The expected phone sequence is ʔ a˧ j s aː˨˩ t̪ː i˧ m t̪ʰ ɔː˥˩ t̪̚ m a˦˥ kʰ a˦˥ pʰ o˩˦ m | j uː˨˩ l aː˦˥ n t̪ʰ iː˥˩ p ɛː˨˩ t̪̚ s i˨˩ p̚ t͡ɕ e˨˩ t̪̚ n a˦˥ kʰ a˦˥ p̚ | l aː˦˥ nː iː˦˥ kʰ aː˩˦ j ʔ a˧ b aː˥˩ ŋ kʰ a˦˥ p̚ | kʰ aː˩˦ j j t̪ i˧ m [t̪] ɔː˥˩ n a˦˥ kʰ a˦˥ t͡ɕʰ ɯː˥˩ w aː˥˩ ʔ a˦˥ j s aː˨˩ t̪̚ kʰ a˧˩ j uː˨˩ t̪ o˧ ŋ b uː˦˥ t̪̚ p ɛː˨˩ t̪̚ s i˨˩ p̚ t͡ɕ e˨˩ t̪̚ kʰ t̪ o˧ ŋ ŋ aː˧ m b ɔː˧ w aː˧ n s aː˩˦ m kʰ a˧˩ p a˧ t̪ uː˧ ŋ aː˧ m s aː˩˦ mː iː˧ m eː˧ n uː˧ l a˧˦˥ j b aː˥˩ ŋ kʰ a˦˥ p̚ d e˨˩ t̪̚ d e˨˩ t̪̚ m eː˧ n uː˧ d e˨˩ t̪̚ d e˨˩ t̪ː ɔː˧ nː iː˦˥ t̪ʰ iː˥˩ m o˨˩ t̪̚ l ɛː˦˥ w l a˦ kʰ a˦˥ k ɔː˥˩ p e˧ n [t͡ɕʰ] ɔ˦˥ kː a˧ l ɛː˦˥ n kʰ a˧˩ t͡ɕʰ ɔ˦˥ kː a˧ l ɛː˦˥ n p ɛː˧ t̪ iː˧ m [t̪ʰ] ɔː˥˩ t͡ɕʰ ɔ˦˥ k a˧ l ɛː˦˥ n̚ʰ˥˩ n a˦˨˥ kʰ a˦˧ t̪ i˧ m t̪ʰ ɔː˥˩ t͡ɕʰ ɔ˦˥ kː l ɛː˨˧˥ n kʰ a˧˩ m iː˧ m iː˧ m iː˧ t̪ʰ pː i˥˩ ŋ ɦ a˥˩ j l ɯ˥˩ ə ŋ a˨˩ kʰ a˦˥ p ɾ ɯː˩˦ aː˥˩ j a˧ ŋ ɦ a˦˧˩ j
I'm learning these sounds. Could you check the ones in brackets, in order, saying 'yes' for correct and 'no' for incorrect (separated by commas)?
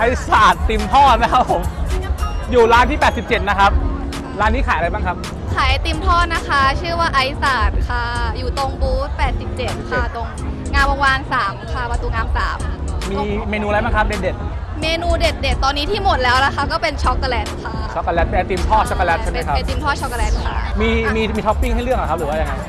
no, yes, yes